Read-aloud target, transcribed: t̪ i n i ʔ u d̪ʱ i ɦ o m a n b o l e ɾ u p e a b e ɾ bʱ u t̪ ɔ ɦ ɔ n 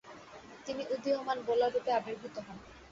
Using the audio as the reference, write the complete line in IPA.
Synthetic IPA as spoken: t̪ i n i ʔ u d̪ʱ i ɦ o m a n b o l a ɾ u p e a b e ɾ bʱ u t̪ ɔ ɦ ɔ n